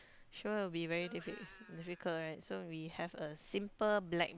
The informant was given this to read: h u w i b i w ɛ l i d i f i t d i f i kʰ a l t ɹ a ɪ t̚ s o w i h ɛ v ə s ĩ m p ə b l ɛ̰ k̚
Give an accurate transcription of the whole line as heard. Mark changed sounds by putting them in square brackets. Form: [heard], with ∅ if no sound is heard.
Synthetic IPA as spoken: [ʃ] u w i b i [v] ɛ [ɹ] i d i f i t d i f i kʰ [ə] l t ɹ a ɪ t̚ s o w i h ɛ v ə s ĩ m p ə b l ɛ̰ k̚